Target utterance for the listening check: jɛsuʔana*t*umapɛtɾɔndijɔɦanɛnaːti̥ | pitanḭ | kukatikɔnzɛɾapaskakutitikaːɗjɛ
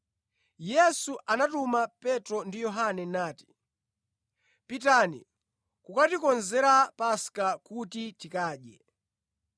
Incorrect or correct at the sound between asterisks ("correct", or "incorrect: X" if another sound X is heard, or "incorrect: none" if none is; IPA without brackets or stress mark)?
correct